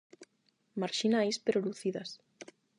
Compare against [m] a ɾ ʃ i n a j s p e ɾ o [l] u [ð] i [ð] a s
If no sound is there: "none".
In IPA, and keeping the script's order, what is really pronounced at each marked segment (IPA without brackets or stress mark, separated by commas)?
m, l, θ, ð